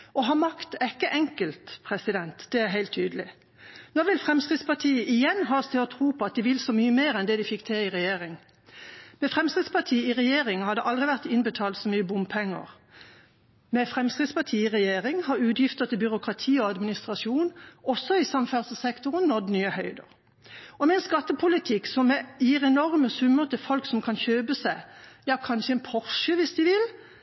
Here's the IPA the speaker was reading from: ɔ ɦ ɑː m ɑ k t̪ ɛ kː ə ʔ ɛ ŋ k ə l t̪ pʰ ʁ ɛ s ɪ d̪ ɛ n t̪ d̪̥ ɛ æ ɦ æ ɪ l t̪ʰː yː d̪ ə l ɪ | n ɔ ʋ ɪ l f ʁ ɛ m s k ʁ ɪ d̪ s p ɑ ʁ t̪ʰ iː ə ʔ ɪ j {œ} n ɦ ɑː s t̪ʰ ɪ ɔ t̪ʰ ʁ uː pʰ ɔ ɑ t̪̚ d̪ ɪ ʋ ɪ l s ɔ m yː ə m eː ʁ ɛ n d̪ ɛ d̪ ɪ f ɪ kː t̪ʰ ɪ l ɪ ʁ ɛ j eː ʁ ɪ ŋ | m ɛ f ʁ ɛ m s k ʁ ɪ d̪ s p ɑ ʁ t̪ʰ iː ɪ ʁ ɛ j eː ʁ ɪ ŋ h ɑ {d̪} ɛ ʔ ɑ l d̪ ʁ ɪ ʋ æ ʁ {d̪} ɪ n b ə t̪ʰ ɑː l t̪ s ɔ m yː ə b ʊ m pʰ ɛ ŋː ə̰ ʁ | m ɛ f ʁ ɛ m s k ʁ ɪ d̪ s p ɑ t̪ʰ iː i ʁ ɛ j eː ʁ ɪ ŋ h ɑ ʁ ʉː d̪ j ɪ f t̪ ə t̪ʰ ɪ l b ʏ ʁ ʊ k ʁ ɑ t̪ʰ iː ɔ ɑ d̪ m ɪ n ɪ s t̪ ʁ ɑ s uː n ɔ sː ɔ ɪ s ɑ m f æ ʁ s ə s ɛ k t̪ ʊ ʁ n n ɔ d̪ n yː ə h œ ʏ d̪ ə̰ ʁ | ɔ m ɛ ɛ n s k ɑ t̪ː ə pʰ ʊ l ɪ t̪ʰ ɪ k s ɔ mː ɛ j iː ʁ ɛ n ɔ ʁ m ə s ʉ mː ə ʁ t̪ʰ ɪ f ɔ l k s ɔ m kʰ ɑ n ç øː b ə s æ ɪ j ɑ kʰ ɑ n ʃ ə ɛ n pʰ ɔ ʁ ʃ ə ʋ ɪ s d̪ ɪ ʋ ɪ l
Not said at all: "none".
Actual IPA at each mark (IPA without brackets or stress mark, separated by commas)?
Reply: ɛ, d̪, t̪